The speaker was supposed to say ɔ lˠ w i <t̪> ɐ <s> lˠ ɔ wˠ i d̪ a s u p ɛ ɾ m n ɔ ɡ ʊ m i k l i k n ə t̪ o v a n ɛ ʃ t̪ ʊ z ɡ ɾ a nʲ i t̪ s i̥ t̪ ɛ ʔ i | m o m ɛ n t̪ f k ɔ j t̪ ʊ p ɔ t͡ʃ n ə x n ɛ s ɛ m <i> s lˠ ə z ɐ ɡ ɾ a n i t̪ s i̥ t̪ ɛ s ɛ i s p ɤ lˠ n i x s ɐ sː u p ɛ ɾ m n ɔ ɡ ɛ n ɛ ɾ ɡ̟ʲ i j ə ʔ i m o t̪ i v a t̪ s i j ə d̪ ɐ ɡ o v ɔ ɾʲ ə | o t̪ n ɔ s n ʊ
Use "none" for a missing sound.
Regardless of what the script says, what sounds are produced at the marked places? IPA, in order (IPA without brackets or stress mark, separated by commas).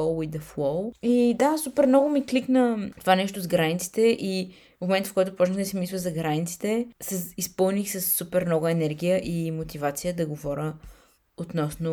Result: d̪, f, i